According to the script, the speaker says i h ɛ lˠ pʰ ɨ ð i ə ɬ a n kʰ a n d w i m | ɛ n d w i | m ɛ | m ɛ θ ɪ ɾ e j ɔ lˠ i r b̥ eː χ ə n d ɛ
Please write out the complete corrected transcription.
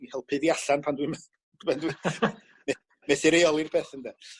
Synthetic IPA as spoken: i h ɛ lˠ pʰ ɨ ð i a ɬ a n pʰ a n d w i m | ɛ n d w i | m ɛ | m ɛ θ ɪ ɾ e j ɔ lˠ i r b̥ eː θ ə n d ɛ